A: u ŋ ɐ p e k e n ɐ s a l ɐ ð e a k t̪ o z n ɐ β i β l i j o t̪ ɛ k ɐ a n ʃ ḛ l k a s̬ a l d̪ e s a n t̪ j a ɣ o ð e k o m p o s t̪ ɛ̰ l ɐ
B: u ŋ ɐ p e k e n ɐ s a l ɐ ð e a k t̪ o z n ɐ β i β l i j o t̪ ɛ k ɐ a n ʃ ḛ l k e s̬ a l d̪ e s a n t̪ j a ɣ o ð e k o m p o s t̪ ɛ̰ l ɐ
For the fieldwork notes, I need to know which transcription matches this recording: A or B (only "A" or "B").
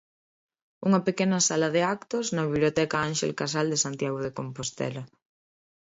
A